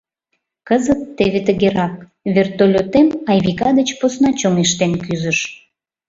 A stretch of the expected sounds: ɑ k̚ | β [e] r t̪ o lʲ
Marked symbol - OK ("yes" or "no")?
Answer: yes